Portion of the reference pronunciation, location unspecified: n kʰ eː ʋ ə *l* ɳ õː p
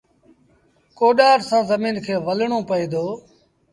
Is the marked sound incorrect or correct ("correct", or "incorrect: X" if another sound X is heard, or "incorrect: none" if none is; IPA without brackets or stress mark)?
correct